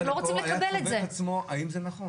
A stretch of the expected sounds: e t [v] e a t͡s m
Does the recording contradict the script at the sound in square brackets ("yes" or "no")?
yes